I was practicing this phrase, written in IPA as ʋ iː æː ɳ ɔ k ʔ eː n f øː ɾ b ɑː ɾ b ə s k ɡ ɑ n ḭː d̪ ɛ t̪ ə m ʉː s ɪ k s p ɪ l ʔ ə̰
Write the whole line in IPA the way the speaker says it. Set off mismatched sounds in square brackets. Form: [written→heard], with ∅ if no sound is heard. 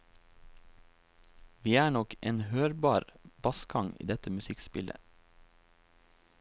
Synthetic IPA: ʋ iː æː ɳ ɔ k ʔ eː n [f→h] øː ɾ b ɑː ɾ b [ə→ɑ] s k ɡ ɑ [n→ŋ] ḭː d̪ ɛ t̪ ə m [ʉː→ʉ] s ɪ k s p ɪ l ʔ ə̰